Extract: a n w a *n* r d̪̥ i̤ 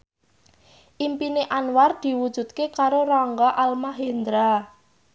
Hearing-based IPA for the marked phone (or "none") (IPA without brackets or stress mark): none